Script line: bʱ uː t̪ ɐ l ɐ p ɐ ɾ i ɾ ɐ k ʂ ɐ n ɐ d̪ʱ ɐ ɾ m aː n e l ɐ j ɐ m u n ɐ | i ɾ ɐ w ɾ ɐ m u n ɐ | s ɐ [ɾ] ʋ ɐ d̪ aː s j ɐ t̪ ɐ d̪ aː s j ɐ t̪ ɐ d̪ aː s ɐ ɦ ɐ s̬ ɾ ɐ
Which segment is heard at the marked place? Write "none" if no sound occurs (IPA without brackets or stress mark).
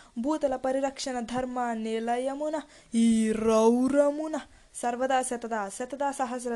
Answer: ɾ